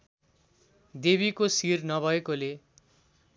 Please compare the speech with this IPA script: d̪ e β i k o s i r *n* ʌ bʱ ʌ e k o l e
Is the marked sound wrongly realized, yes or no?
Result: no